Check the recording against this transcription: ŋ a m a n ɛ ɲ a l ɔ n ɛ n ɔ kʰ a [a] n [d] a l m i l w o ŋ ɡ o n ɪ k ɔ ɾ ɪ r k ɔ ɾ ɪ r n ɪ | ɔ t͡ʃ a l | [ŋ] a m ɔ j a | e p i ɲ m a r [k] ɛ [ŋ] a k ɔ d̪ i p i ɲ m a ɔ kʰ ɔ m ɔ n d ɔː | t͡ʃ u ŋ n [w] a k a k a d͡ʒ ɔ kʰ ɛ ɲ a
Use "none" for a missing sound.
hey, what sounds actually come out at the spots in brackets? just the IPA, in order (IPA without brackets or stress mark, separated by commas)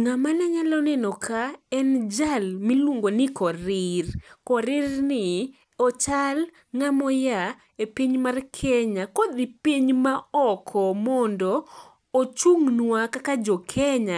ɛ, d͡ʒ, ŋ, kʰ, ɲ, w